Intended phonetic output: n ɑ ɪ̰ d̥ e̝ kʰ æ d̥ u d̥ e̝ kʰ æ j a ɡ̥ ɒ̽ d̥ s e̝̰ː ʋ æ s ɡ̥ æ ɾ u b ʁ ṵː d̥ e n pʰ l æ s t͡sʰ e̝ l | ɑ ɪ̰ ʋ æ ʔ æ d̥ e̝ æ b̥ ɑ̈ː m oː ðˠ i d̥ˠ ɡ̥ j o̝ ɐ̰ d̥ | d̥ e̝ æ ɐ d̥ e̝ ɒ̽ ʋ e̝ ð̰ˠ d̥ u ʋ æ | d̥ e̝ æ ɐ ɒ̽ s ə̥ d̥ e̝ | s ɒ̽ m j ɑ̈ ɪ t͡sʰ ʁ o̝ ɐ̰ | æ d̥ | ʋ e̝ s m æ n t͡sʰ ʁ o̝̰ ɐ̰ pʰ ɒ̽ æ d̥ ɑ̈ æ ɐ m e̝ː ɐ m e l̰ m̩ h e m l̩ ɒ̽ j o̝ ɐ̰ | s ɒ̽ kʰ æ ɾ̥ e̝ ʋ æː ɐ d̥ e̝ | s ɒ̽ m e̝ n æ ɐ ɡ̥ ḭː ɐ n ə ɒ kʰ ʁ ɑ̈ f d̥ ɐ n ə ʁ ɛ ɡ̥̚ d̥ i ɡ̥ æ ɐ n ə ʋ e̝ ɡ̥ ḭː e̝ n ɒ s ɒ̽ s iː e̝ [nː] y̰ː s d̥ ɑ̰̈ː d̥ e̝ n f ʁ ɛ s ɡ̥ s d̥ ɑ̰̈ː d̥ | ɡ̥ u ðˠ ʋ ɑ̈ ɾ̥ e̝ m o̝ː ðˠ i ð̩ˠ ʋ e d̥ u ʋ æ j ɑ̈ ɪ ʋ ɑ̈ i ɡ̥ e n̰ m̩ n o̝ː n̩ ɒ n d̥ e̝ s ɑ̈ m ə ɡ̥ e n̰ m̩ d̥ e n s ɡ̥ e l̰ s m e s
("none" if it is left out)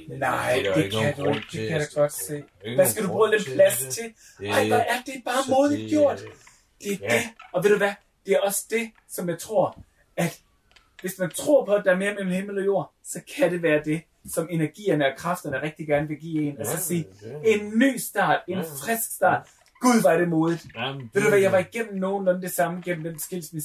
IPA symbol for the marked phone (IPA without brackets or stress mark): nː